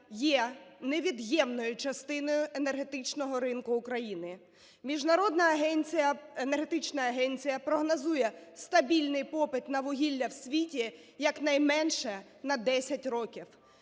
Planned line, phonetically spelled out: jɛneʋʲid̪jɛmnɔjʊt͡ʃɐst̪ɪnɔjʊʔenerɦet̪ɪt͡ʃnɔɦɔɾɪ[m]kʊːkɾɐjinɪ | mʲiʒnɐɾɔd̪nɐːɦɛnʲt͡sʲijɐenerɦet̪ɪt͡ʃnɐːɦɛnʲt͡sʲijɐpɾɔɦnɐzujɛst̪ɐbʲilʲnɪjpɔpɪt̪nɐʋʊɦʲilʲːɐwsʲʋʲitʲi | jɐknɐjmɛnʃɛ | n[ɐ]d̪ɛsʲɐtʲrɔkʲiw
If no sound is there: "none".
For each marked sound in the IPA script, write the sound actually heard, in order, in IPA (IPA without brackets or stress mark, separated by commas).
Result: n, ɐ